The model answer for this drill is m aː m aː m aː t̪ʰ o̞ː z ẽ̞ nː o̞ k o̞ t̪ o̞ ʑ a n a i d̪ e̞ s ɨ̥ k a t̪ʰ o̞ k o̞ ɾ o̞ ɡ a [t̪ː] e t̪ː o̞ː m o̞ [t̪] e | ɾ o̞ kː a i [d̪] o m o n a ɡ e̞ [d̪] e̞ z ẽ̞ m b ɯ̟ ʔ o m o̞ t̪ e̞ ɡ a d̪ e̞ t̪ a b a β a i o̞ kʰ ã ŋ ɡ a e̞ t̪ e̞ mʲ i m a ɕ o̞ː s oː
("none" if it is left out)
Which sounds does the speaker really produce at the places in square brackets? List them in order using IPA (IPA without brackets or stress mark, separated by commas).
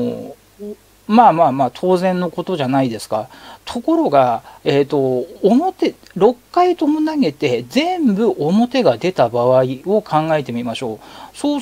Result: none, t̪, t̪, t̪